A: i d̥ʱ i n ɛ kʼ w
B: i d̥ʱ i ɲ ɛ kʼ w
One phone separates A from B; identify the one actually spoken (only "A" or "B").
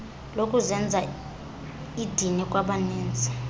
A